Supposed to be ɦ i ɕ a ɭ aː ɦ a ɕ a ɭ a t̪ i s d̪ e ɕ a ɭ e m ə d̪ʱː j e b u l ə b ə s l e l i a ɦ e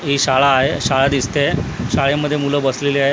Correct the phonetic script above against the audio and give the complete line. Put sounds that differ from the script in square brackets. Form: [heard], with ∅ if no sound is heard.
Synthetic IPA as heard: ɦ i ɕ a ɭ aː ɦ [e] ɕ a ɭ a [d̪] i s [t̪] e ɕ a ɭ e m ə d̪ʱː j e [m] u l ə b ə s l e l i a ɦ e